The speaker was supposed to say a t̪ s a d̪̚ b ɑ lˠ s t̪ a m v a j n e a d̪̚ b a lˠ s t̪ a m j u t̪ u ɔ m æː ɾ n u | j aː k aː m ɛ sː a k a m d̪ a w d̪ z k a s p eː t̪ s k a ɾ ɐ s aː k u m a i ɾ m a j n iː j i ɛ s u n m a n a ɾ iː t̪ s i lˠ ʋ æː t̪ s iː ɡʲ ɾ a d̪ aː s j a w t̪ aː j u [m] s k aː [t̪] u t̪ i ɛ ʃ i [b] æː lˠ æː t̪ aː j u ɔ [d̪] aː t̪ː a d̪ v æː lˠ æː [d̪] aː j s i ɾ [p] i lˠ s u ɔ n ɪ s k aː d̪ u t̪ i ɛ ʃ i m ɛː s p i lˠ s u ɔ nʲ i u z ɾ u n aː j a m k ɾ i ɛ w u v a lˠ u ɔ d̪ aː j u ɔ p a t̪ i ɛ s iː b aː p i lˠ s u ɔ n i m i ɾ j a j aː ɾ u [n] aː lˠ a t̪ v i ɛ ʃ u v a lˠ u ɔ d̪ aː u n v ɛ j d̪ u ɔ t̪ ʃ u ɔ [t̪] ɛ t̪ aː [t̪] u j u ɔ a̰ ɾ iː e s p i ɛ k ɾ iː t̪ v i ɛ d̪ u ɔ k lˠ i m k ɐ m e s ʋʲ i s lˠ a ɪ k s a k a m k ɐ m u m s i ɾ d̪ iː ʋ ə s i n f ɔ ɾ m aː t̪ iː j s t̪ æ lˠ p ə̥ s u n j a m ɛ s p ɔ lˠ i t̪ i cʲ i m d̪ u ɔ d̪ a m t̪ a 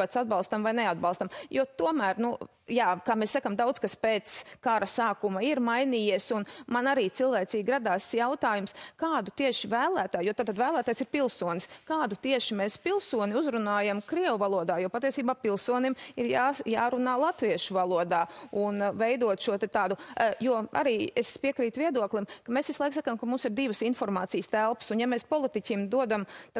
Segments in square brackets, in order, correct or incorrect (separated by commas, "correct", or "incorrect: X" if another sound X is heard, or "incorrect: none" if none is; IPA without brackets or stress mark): correct, incorrect: d̪, incorrect: v, incorrect: t̪, incorrect: t̪, correct, correct, correct, incorrect: d̪